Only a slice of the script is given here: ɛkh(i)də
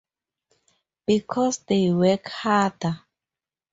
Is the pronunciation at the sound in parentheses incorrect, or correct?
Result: incorrect